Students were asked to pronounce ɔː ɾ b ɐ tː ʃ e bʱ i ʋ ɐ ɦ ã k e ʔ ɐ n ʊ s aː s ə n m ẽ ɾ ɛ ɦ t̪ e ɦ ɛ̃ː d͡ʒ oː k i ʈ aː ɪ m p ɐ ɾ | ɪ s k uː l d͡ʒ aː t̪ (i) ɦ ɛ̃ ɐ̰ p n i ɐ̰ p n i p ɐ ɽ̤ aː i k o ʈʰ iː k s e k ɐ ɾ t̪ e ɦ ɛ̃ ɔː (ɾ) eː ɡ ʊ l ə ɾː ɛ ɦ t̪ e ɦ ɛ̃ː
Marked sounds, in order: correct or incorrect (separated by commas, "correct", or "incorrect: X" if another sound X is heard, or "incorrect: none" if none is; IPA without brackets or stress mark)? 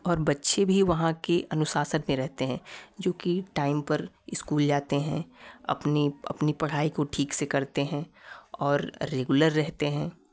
incorrect: e, incorrect: ɾː